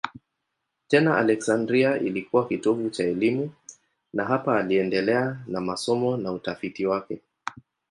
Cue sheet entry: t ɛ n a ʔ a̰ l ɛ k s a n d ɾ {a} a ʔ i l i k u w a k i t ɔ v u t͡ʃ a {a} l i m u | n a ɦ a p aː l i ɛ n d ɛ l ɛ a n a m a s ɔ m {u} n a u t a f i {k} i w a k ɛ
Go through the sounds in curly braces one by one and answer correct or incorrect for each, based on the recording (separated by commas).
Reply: incorrect, incorrect, incorrect, incorrect